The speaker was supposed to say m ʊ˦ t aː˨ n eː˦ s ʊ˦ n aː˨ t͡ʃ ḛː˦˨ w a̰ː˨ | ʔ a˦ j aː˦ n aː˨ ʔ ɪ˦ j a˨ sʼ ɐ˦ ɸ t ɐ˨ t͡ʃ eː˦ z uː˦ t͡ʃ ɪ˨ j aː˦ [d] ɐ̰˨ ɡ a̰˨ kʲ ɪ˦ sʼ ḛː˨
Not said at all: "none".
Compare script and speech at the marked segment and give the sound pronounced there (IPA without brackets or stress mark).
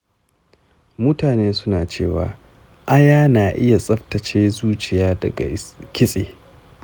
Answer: d